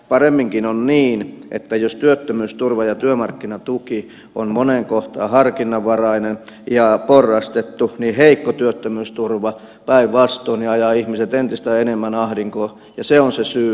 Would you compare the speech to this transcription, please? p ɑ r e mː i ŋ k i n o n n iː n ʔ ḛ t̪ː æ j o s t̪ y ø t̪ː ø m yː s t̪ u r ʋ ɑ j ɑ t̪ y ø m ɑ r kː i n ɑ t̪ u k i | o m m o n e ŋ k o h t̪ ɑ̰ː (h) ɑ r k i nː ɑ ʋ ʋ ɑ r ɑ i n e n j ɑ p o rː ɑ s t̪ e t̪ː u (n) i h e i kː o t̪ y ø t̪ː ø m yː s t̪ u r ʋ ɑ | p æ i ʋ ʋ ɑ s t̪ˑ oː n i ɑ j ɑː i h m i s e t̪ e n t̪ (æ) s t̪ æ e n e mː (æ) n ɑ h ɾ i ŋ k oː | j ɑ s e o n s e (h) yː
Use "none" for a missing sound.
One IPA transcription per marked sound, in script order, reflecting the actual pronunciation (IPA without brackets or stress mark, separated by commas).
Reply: h, n, i, æ, s